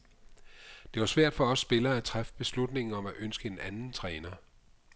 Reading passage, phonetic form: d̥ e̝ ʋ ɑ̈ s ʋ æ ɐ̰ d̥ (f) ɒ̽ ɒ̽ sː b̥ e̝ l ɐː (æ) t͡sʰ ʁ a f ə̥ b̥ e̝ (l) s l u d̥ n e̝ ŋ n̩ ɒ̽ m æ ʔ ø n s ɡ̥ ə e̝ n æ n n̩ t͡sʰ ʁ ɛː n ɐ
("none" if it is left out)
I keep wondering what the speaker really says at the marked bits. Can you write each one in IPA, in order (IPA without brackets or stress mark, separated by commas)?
f, æ, none